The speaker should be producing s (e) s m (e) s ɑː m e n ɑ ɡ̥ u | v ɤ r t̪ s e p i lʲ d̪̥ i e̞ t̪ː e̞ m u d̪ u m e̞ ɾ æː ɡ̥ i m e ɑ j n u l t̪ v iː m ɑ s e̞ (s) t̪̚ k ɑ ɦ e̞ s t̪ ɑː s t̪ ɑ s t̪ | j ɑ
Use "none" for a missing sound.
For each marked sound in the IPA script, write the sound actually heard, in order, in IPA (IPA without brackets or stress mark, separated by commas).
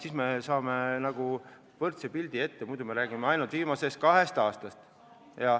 i, e, s